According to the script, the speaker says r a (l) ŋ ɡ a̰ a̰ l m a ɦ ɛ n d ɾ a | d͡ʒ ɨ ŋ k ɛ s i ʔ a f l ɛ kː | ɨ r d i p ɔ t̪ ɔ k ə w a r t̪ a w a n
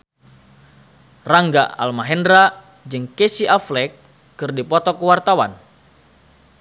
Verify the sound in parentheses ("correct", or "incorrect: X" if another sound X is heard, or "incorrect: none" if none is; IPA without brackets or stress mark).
incorrect: none